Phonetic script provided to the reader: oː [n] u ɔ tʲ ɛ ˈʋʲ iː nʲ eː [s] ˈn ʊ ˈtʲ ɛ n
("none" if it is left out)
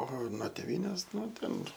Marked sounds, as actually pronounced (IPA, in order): n, s

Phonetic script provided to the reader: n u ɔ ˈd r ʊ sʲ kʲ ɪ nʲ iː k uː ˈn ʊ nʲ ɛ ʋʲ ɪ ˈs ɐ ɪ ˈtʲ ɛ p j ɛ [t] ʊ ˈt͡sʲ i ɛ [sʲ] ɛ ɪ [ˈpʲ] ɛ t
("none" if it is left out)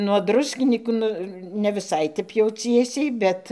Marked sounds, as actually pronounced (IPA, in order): none, sʲ, bʲ

